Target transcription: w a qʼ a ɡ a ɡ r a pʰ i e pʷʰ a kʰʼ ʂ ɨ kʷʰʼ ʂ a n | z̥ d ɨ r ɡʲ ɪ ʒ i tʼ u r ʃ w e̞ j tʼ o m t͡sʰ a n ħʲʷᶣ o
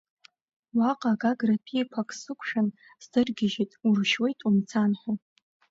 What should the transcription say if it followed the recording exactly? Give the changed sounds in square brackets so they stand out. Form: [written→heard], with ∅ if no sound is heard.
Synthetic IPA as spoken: w a qʼ a ɡ a ɡ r a pʰ i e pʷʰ a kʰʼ [ʂ→s] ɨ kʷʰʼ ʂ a n | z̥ d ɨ r ɡʲ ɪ ʒ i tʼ u r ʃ w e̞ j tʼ [o→u] m t͡sʰ a n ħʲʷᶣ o